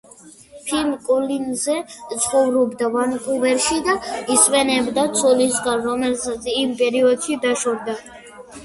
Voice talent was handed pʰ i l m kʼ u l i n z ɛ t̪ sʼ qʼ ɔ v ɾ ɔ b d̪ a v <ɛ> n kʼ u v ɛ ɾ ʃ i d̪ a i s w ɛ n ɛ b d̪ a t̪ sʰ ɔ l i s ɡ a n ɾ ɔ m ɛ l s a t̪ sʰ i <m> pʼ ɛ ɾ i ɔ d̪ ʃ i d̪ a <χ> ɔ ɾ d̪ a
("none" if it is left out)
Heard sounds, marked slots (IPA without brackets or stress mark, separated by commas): a, m, ʃ